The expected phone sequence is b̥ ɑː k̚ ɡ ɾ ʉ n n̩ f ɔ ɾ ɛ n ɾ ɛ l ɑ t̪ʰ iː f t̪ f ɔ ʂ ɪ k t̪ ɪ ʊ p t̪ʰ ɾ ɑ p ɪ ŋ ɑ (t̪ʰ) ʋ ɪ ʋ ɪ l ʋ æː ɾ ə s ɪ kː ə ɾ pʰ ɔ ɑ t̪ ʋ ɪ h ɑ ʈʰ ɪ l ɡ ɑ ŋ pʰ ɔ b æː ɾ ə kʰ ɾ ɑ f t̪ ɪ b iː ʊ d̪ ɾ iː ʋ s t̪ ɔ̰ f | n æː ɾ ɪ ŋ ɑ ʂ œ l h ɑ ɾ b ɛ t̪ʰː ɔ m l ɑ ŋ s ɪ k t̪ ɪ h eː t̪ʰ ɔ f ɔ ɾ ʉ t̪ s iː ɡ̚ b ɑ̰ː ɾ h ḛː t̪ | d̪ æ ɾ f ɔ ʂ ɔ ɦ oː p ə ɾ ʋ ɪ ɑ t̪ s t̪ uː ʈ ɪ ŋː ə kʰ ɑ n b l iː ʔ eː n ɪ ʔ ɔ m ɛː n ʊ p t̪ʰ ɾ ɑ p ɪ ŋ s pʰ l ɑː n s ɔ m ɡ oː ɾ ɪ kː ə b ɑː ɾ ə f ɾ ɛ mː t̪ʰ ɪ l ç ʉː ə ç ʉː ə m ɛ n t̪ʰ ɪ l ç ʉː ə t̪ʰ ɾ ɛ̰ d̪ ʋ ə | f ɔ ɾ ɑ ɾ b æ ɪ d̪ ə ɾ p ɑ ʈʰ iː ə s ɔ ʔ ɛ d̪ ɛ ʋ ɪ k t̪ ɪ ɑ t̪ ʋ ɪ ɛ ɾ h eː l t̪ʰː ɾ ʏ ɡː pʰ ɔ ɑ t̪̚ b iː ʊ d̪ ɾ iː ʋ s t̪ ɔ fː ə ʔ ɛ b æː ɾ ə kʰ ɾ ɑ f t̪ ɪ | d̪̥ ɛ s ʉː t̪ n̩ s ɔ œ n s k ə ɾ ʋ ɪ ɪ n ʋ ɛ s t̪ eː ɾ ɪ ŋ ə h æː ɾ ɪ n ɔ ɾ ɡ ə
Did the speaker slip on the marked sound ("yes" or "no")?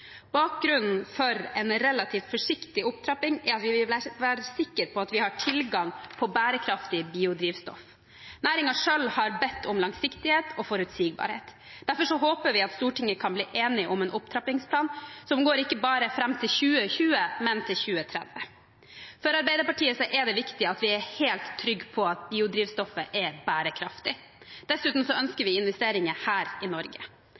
yes